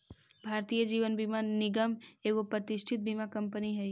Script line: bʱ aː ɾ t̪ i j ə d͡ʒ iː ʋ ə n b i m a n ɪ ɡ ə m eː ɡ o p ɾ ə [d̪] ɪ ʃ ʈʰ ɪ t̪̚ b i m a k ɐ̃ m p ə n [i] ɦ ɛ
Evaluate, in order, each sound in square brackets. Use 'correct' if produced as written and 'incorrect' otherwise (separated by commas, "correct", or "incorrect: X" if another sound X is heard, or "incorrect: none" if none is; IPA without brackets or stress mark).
incorrect: t̪, correct